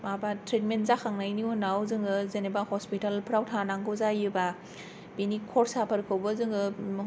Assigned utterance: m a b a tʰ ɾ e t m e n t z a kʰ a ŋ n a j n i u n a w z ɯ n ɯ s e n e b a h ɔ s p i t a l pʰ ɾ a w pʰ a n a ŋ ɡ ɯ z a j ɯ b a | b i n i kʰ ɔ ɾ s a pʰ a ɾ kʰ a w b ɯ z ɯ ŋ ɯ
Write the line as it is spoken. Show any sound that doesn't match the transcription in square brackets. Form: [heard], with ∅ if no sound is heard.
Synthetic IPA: m a b a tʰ ɾ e t m e n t z a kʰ a ŋ n a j n i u n a w z ɯ [ŋ] ɯ [z] e n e b a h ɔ s p i t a l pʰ ɾ a w [tʰ] a n a ŋ ɡ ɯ z a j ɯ b a | b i n i kʰ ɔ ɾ s a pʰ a ɾ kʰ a w b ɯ z ɯ ŋ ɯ